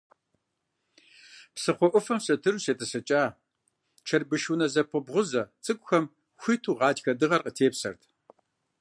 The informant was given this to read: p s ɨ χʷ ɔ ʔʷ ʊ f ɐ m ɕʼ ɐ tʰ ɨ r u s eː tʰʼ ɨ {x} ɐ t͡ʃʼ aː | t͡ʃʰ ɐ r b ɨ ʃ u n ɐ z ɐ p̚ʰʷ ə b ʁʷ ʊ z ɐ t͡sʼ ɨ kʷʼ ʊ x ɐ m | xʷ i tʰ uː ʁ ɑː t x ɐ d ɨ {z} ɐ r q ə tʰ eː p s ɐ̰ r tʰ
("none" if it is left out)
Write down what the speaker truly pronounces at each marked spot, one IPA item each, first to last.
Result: s, ʁ

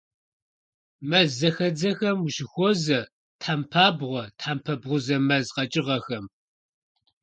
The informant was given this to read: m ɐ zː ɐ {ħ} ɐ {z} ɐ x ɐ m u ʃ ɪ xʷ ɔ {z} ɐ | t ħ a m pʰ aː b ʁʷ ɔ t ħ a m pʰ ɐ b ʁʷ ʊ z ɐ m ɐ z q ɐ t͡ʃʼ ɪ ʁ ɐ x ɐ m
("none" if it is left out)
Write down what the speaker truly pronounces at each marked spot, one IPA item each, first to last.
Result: x, d͡z, z

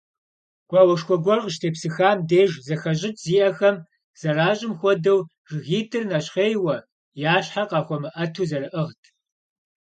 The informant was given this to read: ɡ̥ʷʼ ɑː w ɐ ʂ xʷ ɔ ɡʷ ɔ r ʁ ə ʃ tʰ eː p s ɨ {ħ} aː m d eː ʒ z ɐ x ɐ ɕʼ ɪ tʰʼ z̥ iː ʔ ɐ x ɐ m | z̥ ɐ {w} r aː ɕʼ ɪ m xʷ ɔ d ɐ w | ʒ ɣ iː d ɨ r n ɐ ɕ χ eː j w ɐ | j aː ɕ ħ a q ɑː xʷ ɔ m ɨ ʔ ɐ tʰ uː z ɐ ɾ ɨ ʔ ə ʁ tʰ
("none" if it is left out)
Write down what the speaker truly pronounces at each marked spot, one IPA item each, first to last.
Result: x, none

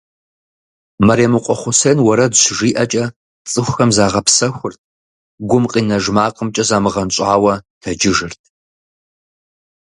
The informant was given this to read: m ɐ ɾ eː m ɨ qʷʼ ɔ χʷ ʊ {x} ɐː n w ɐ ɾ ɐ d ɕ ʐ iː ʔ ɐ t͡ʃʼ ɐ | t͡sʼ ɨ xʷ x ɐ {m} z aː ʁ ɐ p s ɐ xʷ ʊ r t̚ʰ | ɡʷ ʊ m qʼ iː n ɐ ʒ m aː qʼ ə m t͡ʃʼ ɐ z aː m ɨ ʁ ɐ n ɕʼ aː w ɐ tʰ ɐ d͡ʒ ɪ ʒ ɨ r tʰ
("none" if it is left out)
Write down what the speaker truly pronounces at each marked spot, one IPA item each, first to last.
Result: s, m

